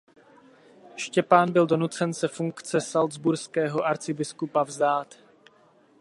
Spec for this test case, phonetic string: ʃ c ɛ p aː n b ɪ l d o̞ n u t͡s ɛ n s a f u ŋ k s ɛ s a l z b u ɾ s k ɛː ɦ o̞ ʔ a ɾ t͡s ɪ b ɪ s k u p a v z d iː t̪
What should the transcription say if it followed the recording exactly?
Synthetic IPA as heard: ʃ c ɛ p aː n b ɪ l d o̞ n u t͡s ɛ n s ɛ f u ŋ k t͡s ɛ s a l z b u ɾ s k ɛː ɦ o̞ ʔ a ɾ t͡s ɪ b ɪ s k u p a v z d aː t̪